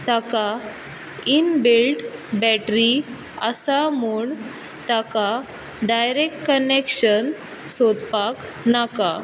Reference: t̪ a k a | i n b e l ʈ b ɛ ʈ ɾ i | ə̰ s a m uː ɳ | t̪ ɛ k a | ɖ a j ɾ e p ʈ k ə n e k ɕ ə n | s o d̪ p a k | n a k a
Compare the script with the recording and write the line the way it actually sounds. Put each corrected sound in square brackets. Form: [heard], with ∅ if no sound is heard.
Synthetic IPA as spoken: t̪ a k a | i n b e l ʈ b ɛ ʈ ɾ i | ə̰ s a m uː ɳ | t̪ [a] k a | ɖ a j ɾ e [k] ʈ k ə n e k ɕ ə n | s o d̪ p a k | n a k a